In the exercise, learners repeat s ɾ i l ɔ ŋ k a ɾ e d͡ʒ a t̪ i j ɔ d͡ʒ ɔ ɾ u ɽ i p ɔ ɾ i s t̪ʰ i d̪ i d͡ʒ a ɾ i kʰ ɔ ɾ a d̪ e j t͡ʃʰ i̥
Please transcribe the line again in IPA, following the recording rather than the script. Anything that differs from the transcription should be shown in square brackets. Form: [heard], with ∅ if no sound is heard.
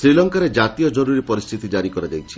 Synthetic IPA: s ɾ i l ɔ ŋ k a ɾ e d͡ʒ a t̪ i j ɔ d͡ʒ ɔ ɾ u [ɾ] i p ɔ ɾ i s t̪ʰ i [t̪] i d͡ʒ a ɾ i [k] ɔ ɾ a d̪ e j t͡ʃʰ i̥